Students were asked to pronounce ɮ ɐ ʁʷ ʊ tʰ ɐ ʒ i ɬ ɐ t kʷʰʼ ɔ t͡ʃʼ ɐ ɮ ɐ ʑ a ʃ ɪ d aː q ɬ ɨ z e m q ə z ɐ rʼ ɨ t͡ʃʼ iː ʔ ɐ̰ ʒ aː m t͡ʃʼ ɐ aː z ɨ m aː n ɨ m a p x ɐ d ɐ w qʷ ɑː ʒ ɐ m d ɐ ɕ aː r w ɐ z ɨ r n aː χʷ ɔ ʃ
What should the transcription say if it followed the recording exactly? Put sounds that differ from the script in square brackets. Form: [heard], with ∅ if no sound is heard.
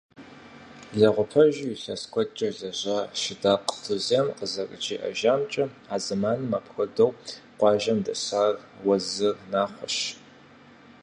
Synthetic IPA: ɮ ɐ ʁʷ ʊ [pʰ] ɐ ʒ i ɬ ɐ [s] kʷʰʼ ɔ t͡ʃʼ ɐ ɮ ɐ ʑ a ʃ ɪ d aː q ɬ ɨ z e m q ə z ɐ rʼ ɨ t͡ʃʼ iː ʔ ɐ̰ ʒ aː m t͡ʃʼ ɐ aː z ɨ m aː n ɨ m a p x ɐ d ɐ w qʷ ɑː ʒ ɐ m d ɐ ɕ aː r w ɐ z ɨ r n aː χʷ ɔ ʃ